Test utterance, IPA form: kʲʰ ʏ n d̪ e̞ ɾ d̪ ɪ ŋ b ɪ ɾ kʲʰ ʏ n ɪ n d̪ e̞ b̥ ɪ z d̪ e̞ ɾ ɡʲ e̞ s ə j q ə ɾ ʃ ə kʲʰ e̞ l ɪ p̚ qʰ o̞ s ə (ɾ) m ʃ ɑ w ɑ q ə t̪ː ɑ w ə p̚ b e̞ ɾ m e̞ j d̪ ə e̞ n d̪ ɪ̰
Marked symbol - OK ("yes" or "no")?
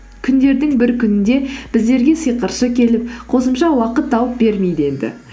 no